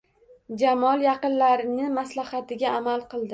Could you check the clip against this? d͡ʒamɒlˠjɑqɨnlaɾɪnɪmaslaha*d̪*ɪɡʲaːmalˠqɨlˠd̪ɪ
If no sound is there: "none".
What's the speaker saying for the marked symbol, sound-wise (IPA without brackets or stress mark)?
t̪